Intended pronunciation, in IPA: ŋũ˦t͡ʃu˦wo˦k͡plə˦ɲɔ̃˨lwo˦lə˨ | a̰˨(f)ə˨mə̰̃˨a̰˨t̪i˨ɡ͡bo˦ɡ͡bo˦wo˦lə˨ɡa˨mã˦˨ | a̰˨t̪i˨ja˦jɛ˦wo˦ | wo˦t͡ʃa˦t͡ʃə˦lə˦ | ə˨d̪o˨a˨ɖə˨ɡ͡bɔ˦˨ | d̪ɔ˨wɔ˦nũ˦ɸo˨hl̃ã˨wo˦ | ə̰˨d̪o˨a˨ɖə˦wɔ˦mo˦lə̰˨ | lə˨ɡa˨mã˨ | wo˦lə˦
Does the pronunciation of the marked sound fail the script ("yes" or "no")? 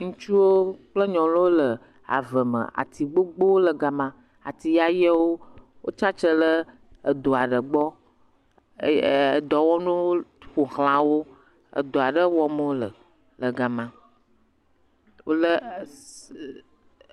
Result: yes